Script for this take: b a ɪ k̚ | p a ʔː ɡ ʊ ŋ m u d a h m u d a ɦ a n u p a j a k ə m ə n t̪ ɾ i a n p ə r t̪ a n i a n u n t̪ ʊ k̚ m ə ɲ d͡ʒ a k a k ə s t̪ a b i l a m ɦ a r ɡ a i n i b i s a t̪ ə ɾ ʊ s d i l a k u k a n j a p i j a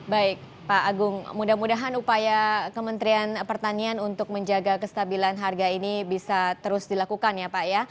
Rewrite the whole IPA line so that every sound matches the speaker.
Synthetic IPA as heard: b a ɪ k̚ | p a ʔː ɡ ʊ ŋ m u d a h m u d a ɦ a n u p a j a k ə m ə n t̪ ɾ i a n p ə r t̪ a n i a n u n t̪ ʊ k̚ m ə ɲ d͡ʒ a ɡ a k ə s t̪ a b i l a n ɦ a r ɡ a i n i b i s a t̪ ə ɾ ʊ s d i l a k u k a n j a p a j a

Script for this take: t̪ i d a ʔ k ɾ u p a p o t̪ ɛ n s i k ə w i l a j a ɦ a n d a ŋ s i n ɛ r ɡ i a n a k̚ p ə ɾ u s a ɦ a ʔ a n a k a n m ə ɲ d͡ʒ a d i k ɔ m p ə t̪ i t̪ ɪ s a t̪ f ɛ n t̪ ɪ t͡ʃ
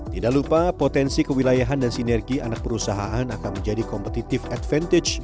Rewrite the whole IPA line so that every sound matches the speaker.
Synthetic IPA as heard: t̪ i d a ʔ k l u p a p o t̪ ɛ n s i k ə w i l a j a ɦ a n d a n s i n ɛ r ɡ i a n a k̚ p ə ɾ u s a ɦ a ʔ a n a k a n m ə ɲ d͡ʒ a d i k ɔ m p ə t̪ i t̪ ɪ f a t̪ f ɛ n t̪ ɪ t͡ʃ

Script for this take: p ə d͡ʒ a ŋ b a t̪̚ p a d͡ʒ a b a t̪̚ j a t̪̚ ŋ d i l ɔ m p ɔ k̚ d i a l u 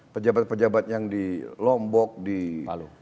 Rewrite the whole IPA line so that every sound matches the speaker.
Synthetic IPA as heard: p ə d͡ʒ a b a t̪̚ p ə d͡ʒ a b a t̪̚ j a ŋ d i l ɔ m b ɔ k̚ d i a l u

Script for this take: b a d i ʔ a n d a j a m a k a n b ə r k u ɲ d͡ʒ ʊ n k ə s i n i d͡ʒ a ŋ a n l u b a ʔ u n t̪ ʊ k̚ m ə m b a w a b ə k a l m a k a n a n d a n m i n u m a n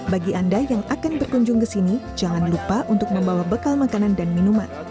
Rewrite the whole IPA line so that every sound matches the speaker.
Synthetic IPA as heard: b a ɡ i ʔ a n d a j a ŋ a k a n b ə r k u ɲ d͡ʒ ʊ ŋ k ə s i n i d͡ʒ a ŋ a n l u p a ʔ u n t̪ ʊ k̚ m ə m b a w a b ə k a l m a k a n a n d a n m i n u m a n

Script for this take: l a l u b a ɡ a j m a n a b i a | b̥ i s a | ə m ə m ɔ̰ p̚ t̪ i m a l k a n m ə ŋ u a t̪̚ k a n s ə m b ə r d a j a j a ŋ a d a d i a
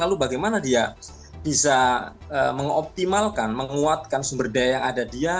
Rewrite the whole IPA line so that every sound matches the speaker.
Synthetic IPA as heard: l a l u b a ɡ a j m a n a d i a | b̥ i s a | ə m ə ŋ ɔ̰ p̚ t̪ i m a l k a n m ə ŋ u a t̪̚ k a n s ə m b ə r d a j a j a ŋ a d a d i a

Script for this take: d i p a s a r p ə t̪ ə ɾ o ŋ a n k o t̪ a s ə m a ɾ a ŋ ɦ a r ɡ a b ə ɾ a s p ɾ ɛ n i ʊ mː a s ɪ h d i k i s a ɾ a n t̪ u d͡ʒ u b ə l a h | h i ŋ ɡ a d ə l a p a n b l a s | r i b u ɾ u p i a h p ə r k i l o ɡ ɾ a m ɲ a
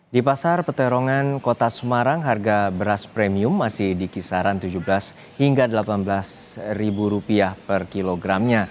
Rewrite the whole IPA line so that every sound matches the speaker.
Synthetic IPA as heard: d i p a s a r p ə t̪ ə ɾ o ŋ a n k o t̪ a s ə m a ɾ a ŋ ɦ a r ɡ a b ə ɾ a s p ɾ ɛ m i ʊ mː a s ɪ h d i k i s a ɾ a n t̪ u d͡ʒ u b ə l a s | h i ŋ ɡ a d ə l a p a n b l a s | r i b u ɾ u p i a h p ə r k i l o ɡ ɾ a m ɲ a

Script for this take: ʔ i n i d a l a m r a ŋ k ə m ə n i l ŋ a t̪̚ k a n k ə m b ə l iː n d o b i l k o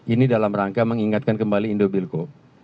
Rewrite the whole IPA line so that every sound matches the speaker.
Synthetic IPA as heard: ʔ i n i d a l a m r a ŋ k a m ə ŋ i ŋ a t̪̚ k a n k ə m b a l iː n d o b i l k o

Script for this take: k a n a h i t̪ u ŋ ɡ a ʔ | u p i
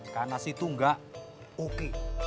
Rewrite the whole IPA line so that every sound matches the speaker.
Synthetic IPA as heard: k a n a s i t̪ u ŋ ɡ a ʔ | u k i

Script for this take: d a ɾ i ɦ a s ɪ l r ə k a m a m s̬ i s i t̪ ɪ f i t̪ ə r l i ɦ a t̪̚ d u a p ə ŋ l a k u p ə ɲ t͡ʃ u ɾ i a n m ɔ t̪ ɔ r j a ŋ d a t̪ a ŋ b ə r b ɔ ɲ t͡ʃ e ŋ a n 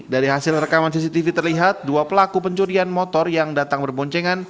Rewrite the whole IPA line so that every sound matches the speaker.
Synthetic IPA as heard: d a ɾ i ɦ a s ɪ l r ə k a m a n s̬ i s i t̪ i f i t̪ ə r l i ɦ a t̪̚ d u a p ə l a k u p ə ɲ t͡ʃ u ɾ i a n m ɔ t̪ ɔ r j a ŋ d a t̪ a ŋ b ə r b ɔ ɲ t͡ʃ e ŋ a n

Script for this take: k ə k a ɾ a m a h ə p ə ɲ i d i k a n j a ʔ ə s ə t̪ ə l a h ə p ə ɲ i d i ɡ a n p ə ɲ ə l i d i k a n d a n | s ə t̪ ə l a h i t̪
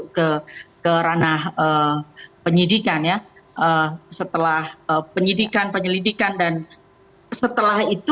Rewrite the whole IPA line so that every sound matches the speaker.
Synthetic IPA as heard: k ə k ə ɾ a n a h ə p ə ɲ i d i k a n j a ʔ ə s ə t̪ ə l a h ə p ə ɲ i d i k a n p ə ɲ ə l i d i k a n d a n | s ə t̪ ə l a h i t̪

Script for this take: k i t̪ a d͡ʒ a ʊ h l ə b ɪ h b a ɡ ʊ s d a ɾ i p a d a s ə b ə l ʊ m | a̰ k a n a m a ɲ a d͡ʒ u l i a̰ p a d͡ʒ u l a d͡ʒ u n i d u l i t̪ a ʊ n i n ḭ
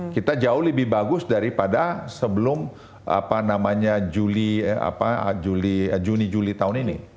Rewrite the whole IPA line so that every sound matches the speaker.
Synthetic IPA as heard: k i t̪ a d͡ʒ a ʊ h l ə b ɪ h b a ɡ ʊ s d a ɾ i p a d a s ə b ə l ʊ m | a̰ p a n a m a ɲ a d͡ʒ u l i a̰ p a d͡ʒ u l i d͡ʒ u n i d͡ʒ u l i t̪ a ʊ n i n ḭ

